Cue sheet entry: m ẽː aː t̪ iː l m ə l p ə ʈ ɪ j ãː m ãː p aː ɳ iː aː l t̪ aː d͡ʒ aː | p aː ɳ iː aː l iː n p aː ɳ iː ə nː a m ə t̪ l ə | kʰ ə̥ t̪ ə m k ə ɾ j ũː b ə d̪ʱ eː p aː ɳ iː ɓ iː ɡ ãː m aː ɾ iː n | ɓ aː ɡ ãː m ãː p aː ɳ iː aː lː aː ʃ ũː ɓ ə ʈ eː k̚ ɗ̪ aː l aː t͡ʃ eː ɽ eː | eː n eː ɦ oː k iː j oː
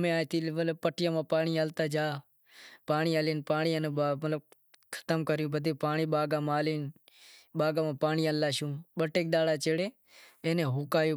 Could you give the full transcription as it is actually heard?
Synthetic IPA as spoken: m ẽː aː t̪ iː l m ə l p ə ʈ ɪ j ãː m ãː p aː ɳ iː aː l t̪ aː d͡ʒ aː | p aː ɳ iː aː l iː n p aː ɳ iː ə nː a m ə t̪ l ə | kʰ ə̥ t̪ ə m k ə ɾ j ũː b ə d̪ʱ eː p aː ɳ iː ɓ aː ɡ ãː m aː l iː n | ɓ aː ɡ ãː m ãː p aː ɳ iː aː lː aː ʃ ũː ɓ ə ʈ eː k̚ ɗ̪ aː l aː t͡ʃ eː ɽ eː | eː n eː ɦ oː k aː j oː